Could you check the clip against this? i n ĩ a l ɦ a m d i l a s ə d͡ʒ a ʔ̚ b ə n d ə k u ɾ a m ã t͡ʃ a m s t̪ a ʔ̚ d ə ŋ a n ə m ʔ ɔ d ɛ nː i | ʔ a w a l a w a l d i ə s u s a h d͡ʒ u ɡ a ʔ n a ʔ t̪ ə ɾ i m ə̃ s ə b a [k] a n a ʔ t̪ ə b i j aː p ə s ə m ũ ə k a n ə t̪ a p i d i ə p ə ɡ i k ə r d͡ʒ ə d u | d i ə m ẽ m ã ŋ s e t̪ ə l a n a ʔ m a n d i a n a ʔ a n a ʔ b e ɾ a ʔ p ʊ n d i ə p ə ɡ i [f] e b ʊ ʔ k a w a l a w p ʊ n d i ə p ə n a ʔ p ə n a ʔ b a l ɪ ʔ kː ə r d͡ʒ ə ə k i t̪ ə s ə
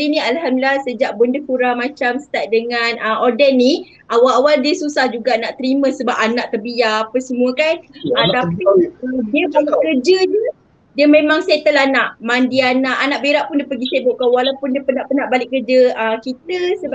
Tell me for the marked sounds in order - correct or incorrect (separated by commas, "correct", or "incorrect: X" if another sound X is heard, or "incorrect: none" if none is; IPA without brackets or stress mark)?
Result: incorrect: p, incorrect: s